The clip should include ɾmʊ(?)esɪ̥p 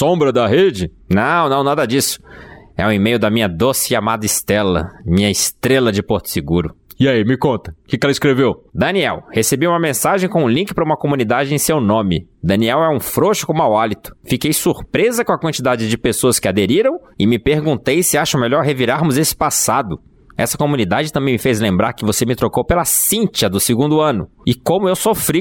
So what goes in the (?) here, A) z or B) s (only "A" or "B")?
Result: A